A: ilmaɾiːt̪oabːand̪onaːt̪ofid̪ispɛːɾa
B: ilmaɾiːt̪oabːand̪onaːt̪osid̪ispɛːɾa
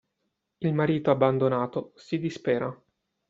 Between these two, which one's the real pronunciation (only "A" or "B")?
B